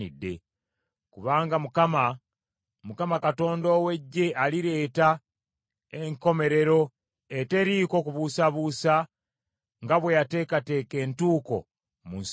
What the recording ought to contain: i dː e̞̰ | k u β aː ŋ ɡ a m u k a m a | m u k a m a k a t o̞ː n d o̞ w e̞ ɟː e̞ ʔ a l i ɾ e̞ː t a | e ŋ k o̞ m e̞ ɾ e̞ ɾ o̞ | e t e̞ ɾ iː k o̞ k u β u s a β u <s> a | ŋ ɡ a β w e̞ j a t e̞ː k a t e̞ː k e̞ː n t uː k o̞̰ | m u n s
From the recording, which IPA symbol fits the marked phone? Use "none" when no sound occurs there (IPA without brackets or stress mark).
s